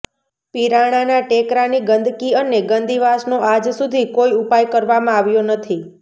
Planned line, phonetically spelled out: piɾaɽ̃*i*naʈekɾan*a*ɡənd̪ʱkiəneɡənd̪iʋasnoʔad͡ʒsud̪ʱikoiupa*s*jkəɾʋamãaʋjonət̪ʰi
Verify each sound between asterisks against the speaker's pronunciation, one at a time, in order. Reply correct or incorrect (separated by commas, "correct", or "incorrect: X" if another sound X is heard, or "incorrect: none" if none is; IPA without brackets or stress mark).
incorrect: a, incorrect: i, incorrect: none